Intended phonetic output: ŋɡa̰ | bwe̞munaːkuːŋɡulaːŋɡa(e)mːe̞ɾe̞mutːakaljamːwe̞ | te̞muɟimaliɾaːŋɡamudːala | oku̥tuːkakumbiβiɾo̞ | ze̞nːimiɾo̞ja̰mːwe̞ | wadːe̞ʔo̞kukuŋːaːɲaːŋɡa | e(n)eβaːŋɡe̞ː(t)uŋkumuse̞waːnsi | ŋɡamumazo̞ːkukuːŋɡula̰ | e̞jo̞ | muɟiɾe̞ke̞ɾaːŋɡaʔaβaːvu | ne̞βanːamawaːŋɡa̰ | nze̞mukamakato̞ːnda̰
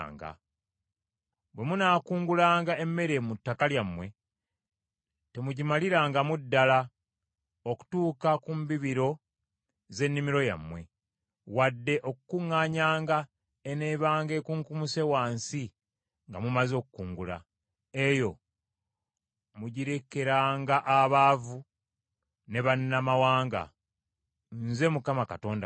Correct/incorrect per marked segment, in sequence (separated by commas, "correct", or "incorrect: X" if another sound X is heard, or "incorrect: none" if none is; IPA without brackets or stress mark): correct, correct, incorrect: k